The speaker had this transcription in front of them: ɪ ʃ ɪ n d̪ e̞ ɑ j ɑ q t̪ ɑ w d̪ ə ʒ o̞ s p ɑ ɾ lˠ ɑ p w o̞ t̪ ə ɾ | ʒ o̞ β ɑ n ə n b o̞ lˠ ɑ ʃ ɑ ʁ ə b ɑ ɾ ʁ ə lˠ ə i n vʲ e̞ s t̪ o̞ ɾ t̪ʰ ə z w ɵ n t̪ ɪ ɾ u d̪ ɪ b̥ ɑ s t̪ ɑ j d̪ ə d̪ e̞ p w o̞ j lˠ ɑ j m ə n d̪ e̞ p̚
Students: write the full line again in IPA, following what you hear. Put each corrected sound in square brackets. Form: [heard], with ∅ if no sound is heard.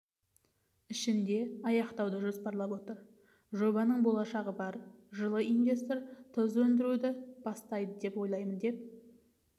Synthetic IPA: ɪ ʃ ɪ n d̪ e̞ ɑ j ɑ q t̪ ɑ w d̪ ə ʒ o̞ s p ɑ ɾ lˠ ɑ p w o̞ t̪ ə ɾ | ʒ o̞ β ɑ n ə [ɴ] b o̞ lˠ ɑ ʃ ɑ ʁ ə b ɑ ɾ [ʒ] ə lˠ ə i n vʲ e̞ s t̪ o̞ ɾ t̪ʰ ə z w ɵ n [d̪] ɪ ɾ u d̪ ɪ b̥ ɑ s t̪ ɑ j d̪ ə d̪ e̞ p w o̞ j lˠ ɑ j m ə n d̪ e̞ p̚